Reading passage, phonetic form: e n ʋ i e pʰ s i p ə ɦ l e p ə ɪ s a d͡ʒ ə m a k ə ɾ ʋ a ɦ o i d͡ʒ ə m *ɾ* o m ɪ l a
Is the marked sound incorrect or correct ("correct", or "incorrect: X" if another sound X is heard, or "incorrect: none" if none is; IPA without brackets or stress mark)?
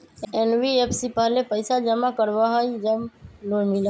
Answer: incorrect: l